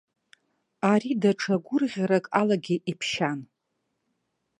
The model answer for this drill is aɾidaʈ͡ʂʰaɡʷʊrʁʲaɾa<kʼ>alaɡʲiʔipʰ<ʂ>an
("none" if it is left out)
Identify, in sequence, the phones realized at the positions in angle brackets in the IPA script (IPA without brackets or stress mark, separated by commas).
kʼ, ʃ